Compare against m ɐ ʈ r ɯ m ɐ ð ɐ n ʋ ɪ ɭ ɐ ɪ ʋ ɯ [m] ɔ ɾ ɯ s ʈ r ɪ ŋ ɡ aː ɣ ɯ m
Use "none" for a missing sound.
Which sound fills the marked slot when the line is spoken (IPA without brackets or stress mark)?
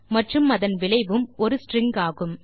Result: m